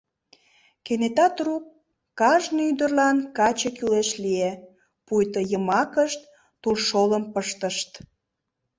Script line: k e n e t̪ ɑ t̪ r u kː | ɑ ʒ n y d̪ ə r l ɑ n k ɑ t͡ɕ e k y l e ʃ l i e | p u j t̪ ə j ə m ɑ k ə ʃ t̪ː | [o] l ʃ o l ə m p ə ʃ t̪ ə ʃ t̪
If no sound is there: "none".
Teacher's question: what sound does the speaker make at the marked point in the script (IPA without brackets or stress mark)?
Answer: u